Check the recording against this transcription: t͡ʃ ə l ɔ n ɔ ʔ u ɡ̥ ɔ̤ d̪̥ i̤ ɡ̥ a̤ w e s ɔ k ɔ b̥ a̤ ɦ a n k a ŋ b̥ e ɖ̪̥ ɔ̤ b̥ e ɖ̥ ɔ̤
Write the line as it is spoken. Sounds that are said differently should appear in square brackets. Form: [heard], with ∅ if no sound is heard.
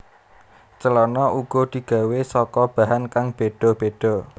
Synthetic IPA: t͡ʃ ə l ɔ n ɔ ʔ u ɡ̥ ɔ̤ d̪̥ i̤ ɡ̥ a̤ w e s ɔ k ɔ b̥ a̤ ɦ a n k a ŋ b̥ e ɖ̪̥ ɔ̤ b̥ e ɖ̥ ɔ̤

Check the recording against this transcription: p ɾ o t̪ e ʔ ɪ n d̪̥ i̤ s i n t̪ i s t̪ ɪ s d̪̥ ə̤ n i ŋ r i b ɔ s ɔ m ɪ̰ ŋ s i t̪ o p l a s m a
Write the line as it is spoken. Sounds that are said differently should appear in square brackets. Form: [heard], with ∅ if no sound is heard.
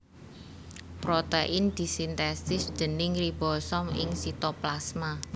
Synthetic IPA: p ɾ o t̪ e ʔ ɪ n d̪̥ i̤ s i n t̪ [ɛ] s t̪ ɪ s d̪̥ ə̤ n [ɪ] ŋ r i b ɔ s ɔ m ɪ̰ ŋ s i t̪ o p l a s m a

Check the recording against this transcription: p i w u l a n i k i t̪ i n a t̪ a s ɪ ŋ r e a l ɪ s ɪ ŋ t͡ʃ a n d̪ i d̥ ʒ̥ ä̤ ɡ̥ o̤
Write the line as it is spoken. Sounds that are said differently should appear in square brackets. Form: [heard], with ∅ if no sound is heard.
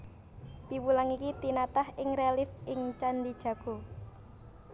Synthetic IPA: p i w u l a [ŋ] i k i t̪ i n a t̪ a [h] ɪ ŋ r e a l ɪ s ɪ ŋ t͡ʃ a n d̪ i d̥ ʒ̥ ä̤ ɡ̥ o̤

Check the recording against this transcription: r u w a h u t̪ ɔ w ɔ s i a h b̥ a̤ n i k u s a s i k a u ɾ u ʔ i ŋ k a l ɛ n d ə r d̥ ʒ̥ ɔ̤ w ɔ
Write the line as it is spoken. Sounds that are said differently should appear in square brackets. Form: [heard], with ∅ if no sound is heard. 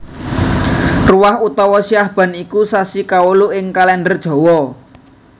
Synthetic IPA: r u w a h u t̪ ɔ w ɔ s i a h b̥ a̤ n i k u s a s i k a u [l] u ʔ [ɪ] ŋ k a l ɛ n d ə r d̥ ʒ̥ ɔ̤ w ɔ

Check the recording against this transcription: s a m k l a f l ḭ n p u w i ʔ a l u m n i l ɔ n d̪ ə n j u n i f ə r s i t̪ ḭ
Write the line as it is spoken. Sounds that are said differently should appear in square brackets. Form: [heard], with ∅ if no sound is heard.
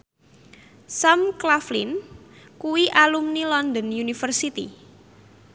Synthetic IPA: s a m k l a f l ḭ n [k] u w i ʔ a l u m n i l ɔ n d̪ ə n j u n i f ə r s i t̪ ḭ

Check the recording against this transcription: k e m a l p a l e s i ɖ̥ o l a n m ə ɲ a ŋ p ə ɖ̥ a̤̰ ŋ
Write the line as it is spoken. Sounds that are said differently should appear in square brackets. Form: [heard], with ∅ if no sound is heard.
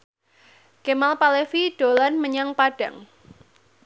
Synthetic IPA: k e m a l p a l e [f] i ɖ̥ o l a n m ə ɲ a ŋ p [a] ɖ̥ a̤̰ ŋ

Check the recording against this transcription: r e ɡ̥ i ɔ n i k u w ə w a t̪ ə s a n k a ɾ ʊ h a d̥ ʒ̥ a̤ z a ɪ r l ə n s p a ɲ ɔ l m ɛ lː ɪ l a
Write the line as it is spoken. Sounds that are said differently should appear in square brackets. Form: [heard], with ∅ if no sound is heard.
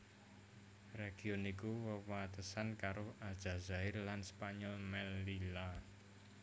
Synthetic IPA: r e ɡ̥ i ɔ n i k u w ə w a t̪ ə s a n k a ɾ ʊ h a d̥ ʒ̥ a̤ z a ɪ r l [a] n s p a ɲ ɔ l m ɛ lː [i] l a

